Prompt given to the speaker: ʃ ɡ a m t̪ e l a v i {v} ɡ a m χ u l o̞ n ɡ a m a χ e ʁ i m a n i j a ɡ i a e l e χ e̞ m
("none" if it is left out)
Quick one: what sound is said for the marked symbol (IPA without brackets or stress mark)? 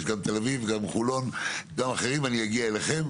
v